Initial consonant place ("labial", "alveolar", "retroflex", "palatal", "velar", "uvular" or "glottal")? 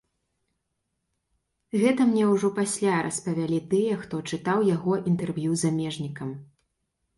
velar